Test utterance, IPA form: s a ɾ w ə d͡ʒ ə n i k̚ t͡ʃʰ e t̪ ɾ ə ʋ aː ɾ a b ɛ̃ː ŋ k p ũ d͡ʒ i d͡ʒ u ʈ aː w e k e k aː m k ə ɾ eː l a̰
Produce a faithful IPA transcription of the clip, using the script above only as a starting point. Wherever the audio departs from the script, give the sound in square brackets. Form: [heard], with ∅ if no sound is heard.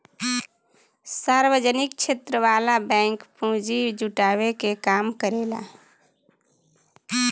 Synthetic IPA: s a ɾ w ə d͡ʒ ə n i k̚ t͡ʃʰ e t̪ ɾ ə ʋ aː [l] a b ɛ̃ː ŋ k p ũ d͡ʒ i d͡ʒ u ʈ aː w e k e k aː m k ə ɾ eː l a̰